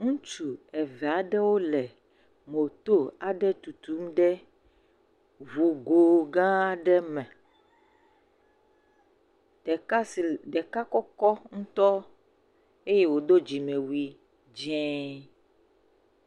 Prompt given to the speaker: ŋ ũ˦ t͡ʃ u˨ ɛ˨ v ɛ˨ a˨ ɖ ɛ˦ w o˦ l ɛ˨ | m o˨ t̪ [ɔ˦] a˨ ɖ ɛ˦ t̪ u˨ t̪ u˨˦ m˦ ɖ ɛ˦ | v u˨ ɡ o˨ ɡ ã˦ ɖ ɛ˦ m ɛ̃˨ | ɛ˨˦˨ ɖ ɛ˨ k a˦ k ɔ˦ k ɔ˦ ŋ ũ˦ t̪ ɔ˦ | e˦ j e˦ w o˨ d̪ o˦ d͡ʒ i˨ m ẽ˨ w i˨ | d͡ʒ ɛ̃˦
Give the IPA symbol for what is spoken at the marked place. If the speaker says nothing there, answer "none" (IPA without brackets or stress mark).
o˦